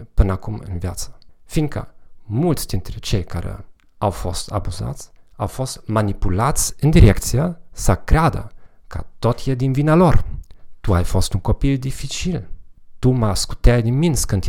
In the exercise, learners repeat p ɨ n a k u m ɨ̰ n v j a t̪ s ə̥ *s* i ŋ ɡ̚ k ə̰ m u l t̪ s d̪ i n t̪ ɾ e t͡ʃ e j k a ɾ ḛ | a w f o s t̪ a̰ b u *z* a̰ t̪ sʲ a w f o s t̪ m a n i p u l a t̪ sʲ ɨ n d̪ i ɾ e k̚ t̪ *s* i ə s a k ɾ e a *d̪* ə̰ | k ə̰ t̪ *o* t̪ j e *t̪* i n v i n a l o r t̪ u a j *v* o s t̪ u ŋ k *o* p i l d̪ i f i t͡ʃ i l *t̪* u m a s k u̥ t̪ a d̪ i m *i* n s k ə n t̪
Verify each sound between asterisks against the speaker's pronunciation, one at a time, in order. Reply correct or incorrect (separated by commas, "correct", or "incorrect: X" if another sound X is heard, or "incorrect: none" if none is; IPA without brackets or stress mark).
incorrect: f, correct, correct, correct, correct, incorrect: d̪, incorrect: f, correct, correct, correct